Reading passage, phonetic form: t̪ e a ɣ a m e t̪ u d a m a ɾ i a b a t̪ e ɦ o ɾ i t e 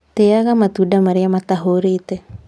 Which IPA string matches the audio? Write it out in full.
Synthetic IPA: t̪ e a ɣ a m a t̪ u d a m a ɾ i a m a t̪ a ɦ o ɾ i t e